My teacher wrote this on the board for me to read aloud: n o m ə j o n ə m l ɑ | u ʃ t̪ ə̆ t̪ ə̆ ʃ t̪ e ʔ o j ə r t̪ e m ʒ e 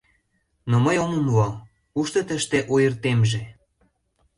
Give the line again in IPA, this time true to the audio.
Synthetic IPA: n o m ə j o m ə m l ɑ | u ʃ t̪ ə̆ t̪ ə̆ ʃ t̪ e ʔ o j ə r t̪ e m ʒ e